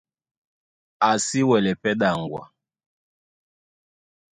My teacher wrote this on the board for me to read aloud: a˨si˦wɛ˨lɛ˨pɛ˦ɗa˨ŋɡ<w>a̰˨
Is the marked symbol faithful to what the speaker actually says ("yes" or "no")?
yes